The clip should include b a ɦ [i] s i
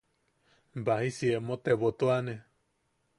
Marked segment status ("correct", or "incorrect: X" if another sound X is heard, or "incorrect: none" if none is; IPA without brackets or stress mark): correct